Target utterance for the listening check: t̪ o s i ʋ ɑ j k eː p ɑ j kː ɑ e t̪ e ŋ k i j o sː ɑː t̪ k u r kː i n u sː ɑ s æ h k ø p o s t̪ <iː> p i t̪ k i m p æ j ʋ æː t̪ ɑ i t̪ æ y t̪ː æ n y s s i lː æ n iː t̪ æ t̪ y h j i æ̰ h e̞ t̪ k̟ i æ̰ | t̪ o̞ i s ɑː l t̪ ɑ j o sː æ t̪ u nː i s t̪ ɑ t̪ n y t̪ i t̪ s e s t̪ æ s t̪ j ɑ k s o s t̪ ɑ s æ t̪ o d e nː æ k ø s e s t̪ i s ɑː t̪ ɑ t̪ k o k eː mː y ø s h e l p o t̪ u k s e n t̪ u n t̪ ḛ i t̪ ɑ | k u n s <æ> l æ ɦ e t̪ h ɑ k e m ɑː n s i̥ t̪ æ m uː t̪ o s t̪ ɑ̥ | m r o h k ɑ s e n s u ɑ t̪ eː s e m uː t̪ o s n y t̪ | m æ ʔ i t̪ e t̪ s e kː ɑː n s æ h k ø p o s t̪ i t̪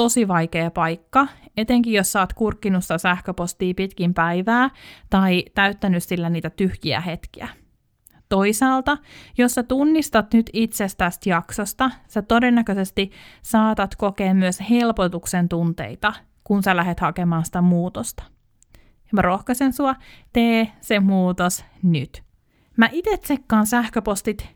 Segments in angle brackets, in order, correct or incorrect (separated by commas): correct, correct